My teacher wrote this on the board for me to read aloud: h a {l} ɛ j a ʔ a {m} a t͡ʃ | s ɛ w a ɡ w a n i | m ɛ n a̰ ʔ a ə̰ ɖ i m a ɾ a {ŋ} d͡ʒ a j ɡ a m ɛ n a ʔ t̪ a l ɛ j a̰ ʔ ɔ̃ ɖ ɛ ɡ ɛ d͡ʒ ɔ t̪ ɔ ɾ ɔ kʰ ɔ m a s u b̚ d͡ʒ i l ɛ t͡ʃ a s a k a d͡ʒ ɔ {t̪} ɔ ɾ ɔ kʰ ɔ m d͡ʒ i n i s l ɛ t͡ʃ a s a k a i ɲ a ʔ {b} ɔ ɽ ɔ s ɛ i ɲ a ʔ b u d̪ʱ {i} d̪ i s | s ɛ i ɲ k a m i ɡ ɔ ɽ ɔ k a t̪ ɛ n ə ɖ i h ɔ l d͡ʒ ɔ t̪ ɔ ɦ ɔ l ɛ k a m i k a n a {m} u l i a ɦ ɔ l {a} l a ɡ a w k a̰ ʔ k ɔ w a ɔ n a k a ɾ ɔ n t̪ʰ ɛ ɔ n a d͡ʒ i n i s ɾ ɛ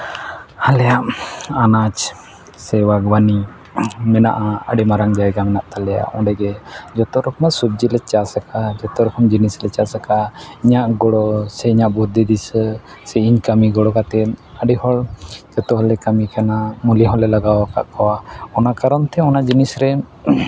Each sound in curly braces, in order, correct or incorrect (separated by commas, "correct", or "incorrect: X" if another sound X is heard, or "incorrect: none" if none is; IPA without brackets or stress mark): correct, incorrect: n, correct, correct, incorrect: ɡ, correct, correct, incorrect: ɛ